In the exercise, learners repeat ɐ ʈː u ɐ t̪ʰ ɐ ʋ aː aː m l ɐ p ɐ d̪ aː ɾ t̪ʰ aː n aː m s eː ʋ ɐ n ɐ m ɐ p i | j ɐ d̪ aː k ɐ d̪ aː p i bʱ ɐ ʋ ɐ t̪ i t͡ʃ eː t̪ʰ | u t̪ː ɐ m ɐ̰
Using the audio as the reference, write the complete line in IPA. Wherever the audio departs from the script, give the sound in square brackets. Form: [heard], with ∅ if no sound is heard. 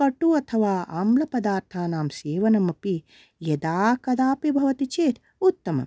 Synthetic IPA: ɐ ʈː u ɐ t̪ʰ ɐ ʋ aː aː m l ɐ p ɐ d̪ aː ɾ t̪ʰ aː n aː m s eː ʋ ɐ n ɐ m ɐ p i | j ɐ d̪ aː k ɐ d̪ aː p i bʱ ɐ ʋ ɐ t̪ i t͡ʃ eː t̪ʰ | u t̪ː ɐ m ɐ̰